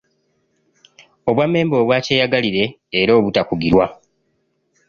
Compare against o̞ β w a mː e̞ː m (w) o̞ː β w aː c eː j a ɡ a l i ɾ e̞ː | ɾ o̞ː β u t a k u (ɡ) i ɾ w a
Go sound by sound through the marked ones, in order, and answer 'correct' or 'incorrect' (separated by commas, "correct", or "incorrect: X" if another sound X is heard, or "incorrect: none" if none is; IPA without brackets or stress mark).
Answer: incorrect: b, correct